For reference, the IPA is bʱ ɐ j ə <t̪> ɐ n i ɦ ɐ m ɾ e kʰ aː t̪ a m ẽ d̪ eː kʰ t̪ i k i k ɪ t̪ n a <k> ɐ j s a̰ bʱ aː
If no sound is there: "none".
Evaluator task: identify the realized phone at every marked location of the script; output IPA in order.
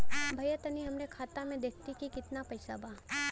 t̪, p

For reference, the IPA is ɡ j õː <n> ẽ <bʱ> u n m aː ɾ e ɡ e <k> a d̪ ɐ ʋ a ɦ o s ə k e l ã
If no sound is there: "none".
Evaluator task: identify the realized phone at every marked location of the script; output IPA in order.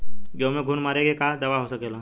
m, ɡʱ, k

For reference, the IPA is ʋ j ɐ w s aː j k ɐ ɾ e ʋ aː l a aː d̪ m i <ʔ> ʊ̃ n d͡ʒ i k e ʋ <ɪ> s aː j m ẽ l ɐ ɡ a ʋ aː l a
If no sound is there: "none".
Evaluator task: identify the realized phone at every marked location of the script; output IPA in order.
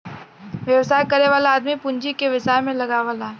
p, ɪ

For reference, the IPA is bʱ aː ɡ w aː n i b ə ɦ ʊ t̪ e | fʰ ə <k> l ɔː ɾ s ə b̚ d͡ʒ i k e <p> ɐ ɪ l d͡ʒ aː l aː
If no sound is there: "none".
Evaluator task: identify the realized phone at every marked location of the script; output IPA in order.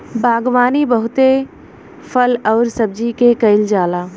none, k

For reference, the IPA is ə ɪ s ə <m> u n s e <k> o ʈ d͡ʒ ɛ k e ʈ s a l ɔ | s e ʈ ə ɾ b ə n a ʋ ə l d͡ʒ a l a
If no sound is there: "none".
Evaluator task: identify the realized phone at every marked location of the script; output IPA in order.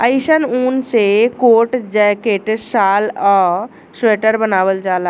n, k

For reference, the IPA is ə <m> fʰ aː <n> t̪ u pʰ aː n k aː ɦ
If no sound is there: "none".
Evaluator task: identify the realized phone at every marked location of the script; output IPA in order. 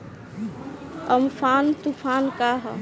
m, n

